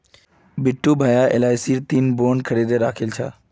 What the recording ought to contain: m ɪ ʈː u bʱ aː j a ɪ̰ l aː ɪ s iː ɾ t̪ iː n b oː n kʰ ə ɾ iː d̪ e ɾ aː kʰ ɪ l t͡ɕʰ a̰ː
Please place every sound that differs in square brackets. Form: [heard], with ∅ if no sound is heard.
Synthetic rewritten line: [b] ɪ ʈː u bʱ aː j a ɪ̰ l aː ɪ s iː ɾ t̪ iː n b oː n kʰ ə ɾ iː d̪ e ɾ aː kʰ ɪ l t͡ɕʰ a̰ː